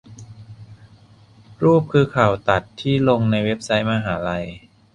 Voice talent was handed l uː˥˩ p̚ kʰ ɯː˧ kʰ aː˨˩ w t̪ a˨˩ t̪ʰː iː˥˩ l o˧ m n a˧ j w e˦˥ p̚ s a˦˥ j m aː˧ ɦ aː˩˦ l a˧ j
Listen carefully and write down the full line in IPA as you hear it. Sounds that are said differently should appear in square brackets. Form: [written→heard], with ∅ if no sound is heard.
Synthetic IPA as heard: [l→ɾ] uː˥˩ p̚ kʰ ɯː˧ kʰ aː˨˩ w t̪ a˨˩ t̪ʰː iː˥˩ l o˧ [m→ŋ] n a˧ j w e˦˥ p̚ s a˦˥ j m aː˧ ɦ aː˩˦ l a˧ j